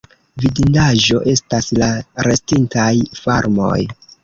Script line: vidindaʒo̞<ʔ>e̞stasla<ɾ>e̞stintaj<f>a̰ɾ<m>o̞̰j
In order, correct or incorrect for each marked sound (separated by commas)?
correct, correct, correct, correct